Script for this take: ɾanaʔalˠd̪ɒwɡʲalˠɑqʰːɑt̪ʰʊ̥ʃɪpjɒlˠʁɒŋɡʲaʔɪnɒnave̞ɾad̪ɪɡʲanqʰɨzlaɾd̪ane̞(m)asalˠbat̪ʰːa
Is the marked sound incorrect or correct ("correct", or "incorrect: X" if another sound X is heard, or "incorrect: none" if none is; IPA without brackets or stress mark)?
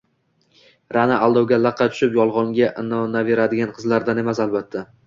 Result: correct